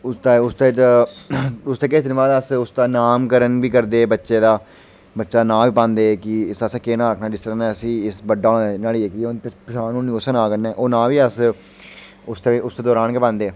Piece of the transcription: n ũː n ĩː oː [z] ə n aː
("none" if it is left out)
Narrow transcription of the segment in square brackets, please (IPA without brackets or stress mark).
s